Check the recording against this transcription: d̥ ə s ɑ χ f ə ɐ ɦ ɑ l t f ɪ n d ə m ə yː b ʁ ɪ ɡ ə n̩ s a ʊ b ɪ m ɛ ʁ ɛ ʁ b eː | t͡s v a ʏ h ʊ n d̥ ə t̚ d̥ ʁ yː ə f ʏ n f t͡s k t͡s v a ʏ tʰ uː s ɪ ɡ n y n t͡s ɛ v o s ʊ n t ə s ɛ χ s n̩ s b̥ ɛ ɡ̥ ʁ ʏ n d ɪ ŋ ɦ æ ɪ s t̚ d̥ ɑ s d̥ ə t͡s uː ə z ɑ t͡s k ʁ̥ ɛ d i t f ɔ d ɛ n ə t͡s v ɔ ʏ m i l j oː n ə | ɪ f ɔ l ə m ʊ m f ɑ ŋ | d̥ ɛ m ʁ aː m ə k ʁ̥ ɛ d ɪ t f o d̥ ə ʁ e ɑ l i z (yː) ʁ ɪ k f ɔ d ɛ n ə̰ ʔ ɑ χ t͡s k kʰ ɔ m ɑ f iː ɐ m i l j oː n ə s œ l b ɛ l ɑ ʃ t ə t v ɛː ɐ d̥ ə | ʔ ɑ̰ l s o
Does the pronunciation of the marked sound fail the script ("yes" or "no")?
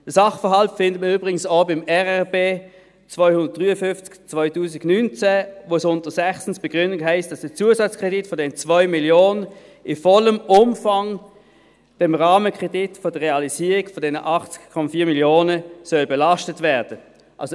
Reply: yes